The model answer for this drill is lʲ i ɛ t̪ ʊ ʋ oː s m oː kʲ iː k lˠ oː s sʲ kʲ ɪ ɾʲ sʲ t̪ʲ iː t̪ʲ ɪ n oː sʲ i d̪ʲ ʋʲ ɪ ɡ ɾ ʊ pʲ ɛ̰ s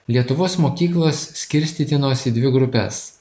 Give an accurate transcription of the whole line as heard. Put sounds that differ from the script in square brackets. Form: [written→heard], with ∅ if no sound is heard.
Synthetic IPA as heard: lʲ i ɛ t̪ ʊ ʋ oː s m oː kʲ iː k lˠ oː s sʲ kʲ ɪ ɾʲ sʲ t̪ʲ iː t̪ʲ ɪ n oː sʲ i d̪ʲ ʋʲ ɪ ɡ ɾ ʊ pʲ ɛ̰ s